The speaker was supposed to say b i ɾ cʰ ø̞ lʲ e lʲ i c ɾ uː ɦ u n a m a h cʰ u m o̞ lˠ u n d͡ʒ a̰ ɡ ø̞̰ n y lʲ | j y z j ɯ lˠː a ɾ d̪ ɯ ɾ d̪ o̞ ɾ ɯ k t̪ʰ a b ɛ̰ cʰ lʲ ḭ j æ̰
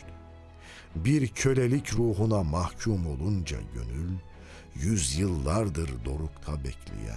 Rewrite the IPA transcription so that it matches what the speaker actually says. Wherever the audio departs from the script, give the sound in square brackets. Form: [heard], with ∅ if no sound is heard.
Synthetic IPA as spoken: b i ɾ cʰ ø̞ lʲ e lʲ i c ɾ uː ɦ u n a m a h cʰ u m o̞ lˠ u n d͡ʒ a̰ [ɟ] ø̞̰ n y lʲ | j y z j ɯ lˠː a ɾ d̪ ɯ ɾ d̪ o̞ ɾ [u] k t̪ʰ a b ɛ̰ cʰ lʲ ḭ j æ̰